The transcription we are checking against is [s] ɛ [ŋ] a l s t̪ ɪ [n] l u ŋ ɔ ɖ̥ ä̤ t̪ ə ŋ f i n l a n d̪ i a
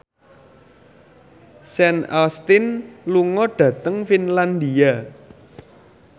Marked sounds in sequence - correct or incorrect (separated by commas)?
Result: correct, incorrect, correct